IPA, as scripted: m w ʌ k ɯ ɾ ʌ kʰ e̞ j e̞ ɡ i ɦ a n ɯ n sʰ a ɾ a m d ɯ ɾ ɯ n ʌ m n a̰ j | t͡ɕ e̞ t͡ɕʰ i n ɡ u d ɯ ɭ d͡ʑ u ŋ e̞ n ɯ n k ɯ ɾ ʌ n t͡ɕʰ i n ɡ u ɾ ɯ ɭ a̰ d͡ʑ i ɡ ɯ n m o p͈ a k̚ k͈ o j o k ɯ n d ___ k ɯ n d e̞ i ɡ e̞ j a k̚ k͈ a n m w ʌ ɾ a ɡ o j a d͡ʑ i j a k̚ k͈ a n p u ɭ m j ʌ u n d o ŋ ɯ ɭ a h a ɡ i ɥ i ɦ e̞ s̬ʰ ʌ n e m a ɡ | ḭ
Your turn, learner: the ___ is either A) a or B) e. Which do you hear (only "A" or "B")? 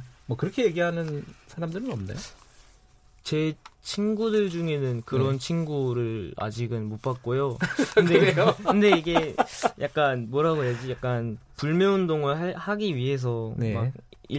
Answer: B